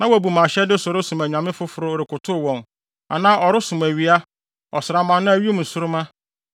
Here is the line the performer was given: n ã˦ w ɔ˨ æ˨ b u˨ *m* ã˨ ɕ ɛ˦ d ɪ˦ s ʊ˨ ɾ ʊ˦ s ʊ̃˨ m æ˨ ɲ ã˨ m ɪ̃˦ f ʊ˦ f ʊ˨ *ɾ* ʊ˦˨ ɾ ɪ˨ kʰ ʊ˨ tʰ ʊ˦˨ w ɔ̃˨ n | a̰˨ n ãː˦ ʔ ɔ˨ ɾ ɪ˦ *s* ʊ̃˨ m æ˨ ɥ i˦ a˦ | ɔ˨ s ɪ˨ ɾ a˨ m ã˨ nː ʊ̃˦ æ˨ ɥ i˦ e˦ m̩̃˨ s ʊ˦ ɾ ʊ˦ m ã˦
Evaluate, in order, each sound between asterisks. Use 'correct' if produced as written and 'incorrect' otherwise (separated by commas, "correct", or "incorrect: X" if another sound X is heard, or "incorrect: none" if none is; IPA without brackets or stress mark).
correct, correct, correct